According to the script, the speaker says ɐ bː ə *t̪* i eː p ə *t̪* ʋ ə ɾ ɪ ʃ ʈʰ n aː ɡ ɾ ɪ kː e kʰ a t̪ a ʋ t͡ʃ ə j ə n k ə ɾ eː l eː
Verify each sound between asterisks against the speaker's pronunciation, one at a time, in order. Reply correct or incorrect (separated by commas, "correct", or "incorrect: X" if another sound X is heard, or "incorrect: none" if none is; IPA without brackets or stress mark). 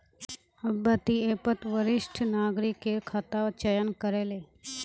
correct, correct